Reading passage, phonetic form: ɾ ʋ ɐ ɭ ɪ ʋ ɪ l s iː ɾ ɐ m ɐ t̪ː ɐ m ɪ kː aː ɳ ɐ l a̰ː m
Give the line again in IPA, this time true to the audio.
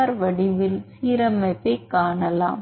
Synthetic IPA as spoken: ɾ ʋ ɐ ɽ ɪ ʋ ɪ l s iː ɾ ɐ m ɐ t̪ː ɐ ɪ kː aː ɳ ɐ l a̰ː m